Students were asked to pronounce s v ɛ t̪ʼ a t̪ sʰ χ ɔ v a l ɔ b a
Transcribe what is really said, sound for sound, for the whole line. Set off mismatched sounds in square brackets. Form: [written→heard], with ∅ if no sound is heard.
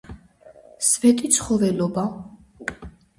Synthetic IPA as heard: s v ɛ t̪ʼ [a→i] t̪ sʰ χ ɔ v [a→ɛ] l ɔ b a